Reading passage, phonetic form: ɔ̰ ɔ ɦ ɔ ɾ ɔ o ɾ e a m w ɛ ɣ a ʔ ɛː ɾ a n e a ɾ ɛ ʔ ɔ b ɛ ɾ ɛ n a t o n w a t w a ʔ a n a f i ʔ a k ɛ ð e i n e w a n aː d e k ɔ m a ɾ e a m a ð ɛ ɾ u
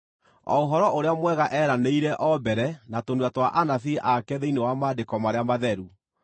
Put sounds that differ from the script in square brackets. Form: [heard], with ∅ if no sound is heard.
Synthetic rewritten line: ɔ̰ [o] ɦ ɔ ɾ ɔ o ɾ e a m w ɛ ɣ a ʔ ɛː ɾ a n e [i] ɾ ɛ ʔ ɔ b ɛ ɾ ɛ n a t o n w a t w a ʔ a n a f i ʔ a k ɛ ð e i n e w a [m] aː d e k ɔ m a ɾ e a m a ð ɛ ɾ u

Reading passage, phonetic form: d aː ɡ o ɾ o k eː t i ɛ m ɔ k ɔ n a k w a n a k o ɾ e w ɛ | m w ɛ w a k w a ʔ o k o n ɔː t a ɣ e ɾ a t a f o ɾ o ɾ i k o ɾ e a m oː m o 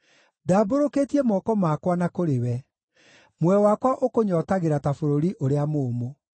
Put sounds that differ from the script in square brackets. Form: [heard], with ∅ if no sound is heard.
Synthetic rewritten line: d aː [b] o ɾ o k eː t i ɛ m ɔ k ɔ [m] a k w a n a k o ɾ e w ɛ | m w ɛ w a k w a ʔ o k o [ɲ] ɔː t a ɣ e ɾ a t a f o ɾ o ɾ i [ʔ] o ɾ e a m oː m o

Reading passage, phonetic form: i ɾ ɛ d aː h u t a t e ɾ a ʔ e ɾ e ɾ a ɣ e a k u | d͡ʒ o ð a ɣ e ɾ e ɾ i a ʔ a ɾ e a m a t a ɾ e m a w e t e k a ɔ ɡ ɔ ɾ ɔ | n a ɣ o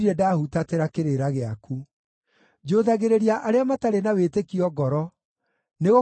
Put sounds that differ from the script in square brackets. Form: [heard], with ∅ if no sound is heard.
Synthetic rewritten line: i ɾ ɛ d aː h u t a t e ɾ a [k] e ɾ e ɾ a ɣ e a k u | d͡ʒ o ð a ɣ e ɾ e ɾ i a ʔ a ɾ e a m a t a ɾ e [n] a w e t e k [i] ɔ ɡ ɔ ɾ ɔ | n [e] ɣ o

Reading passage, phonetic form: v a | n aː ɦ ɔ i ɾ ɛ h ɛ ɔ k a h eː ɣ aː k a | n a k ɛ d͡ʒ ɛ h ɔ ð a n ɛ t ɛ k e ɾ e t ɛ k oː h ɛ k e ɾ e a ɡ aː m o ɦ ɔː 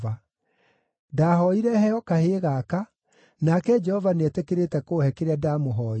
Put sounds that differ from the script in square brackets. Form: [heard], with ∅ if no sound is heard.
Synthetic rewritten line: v a | [d] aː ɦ ɔ i ɾ ɛ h ɛ ɔ k a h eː ɣ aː k a | n a k ɛ d͡ʒ ɛ h ɔ [v] a n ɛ t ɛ k e ɾ e t ɛ k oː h ɛ k e ɾ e a [d] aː m o ɦ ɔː

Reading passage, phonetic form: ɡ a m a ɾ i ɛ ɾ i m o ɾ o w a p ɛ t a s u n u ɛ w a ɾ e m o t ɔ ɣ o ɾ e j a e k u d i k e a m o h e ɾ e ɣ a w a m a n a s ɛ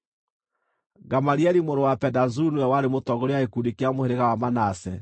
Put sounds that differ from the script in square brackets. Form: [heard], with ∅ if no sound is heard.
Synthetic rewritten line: ɡ a m a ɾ i ɛ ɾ i m o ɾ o w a p ɛ [d] a [z] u n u ɛ w a ɾ e m o t ɔ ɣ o ɾ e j a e k u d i k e a m o h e ɾ e ɣ a w a m a n a s ɛ

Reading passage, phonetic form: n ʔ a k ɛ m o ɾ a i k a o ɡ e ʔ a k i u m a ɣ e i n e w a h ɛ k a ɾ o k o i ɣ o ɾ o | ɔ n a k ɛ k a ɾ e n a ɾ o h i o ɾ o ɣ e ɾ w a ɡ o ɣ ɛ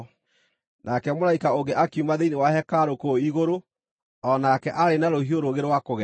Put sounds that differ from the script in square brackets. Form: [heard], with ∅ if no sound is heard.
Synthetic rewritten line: n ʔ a k ɛ m o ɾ a i k a o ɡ e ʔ a k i u m a [ð] e i n e w a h ɛ k a ɾ o k o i ɣ o ɾ o | ɔ n a k ɛ [ʔ] a ɾ e n a ɾ o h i o ɾ o ɣ e ɾ w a [k] o ɣ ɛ

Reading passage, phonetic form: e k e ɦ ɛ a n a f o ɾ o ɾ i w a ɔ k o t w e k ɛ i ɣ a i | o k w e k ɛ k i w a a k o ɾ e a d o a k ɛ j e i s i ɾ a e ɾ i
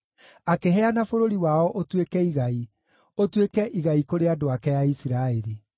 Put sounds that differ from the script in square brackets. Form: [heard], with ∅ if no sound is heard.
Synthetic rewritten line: [a] k e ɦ ɛ a n a f o ɾ o ɾ i w a ɔ [ʔ] o t w e k ɛ i ɣ a i | o [t] w e k ɛ [ʔ] i [ɣ] a [i] k o ɾ e a d o a k ɛ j [a] i s i ɾ a e ɾ i

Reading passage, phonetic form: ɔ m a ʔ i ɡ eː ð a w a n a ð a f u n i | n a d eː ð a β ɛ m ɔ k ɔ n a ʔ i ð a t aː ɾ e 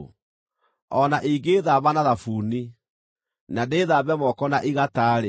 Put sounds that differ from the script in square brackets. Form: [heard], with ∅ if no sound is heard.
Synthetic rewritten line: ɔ [n] a ʔ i ɡ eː ð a [β] a n a ð a f u n i | n a d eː ð a β ɛ m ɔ k ɔ n a ʔ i [ɣ] a t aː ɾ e

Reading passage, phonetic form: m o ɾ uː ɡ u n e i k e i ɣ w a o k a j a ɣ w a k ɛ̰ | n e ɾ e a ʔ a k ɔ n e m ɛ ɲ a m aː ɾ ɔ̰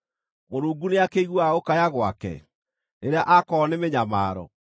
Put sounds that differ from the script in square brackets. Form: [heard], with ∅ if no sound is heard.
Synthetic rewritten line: m o ɾ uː ɡ u n e [a] k e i ɣ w a o k a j a ɣ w a k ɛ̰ | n e ɾ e a ʔ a k ɔ n e m [e] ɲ a m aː ɾ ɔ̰

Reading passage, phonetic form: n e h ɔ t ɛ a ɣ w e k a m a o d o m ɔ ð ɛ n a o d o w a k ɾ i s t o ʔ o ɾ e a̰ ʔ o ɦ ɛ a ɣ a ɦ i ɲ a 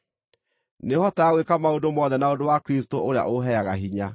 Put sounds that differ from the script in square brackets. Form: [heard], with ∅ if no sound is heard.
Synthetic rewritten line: n e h ɔ t [a] a ɣ w e k a m a o d o m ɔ ð ɛ n a o d o w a k ɾ i s t o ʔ o ɾ e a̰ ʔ o ɦ ɛ a ɣ a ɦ i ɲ a

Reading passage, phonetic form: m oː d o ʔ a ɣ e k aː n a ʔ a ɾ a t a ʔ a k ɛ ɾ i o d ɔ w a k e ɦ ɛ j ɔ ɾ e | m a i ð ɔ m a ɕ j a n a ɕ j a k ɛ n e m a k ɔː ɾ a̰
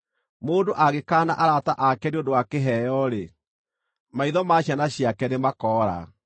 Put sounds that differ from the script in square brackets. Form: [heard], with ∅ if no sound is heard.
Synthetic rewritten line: m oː d o ʔ a ɣ e k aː n a ʔ a ɾ a t a ʔ a k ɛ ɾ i o d [o] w a k e ɦ ɛ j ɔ ɾ e | m a i ð ɔ m a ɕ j a n a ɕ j a k ɛ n e m a k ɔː ɾ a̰

